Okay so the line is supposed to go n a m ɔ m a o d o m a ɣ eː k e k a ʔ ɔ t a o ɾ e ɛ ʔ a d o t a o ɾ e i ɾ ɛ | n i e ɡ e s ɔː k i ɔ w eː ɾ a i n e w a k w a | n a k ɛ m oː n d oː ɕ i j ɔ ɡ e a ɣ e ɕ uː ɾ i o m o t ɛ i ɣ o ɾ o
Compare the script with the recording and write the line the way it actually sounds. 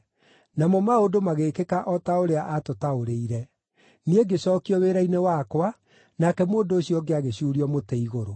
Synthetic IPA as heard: n a m ɔ m a o d o m a ɣ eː k e k a ʔ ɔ t a o ɾ e a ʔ a t o t a o ɾ e i ɾ ɛ | n i e ɡ e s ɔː k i ɔ w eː ɾ a i n e w a k w a | n a k ɛ m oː n d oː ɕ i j ɔ ɡ e a ɣ e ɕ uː ɾ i ɔ m o t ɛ i ɣ o ɾ o